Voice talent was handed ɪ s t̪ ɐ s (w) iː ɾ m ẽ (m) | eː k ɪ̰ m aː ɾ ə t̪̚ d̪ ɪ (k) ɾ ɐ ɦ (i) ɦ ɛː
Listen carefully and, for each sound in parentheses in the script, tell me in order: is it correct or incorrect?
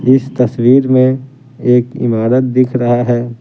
correct, incorrect, incorrect, incorrect

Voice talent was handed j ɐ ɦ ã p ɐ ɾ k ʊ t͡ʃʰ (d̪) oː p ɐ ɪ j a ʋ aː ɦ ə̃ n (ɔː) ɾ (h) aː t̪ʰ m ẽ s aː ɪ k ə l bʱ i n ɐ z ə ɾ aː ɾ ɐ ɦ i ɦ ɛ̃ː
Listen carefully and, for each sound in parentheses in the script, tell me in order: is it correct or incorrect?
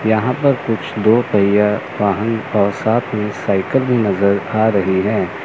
correct, correct, incorrect

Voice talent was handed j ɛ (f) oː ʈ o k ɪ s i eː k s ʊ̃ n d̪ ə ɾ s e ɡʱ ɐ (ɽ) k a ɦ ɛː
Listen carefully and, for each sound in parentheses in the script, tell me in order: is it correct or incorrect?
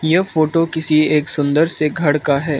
correct, correct

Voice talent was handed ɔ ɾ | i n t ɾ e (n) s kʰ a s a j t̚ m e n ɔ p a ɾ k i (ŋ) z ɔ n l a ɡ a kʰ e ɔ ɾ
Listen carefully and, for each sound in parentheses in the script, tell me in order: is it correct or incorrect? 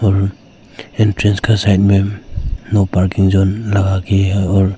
correct, correct

